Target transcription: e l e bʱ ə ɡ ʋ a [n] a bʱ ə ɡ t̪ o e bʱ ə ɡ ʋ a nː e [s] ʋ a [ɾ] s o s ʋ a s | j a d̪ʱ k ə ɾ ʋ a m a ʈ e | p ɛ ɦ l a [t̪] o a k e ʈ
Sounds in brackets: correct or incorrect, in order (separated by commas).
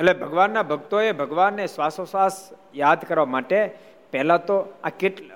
incorrect, correct, incorrect, correct